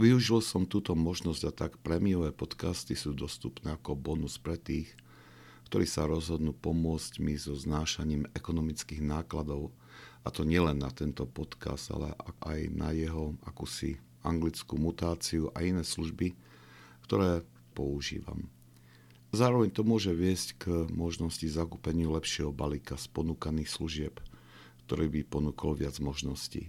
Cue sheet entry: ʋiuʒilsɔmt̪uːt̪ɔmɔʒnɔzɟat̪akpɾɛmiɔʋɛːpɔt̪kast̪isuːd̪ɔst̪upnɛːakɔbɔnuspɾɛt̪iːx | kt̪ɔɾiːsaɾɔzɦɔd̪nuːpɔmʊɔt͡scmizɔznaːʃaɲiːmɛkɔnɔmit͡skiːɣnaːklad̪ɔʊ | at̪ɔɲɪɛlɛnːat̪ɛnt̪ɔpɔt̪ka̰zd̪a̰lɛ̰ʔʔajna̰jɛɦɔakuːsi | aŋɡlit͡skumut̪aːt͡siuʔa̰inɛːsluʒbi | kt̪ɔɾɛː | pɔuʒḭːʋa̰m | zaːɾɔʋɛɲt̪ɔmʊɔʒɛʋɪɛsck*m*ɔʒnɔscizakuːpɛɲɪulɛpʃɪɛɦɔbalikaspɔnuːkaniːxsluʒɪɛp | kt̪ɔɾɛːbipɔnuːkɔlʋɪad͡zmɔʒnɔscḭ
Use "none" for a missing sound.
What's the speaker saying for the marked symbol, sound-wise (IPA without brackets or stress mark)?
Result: m